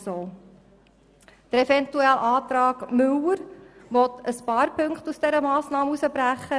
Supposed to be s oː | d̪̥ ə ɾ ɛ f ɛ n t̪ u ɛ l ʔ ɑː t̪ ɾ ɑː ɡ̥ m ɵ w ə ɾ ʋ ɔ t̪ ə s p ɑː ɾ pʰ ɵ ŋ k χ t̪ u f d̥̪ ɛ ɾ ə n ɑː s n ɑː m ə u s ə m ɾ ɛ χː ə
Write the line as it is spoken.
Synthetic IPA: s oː | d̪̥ ə ɾ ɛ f ɛ n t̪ u ɛ l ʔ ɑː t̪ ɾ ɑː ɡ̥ m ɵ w ə ɾ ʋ ɔ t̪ ə s p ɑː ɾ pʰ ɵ ŋ k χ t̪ u s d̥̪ ɛ ɾ ə m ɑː s n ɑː m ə u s ə b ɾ æ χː ə